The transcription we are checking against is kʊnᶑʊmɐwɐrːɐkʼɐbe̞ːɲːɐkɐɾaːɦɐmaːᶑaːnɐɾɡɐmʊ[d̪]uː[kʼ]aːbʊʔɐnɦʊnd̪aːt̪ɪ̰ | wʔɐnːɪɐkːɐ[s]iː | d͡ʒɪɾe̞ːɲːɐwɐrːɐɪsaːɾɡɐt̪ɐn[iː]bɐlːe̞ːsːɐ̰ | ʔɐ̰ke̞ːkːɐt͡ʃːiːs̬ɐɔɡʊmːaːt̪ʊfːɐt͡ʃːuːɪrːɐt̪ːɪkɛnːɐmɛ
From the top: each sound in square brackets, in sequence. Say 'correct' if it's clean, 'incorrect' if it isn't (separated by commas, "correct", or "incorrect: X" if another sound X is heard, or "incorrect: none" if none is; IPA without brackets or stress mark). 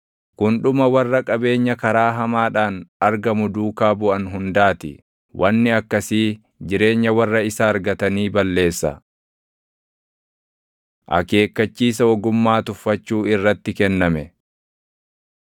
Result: correct, incorrect: k, correct, correct